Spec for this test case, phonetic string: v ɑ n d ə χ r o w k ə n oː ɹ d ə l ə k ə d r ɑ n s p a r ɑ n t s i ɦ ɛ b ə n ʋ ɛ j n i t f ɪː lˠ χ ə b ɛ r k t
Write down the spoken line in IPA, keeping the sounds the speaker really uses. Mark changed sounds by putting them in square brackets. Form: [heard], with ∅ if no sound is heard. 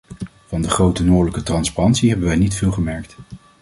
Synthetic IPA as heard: v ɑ n d ə χ r o w [t] ə n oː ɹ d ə l ə k ə [t] r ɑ n s p a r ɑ n t s i ɦ ɛ b ə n ʋ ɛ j n i t f ɪː lˠ χ ə [m] ɛ [ɹ] k t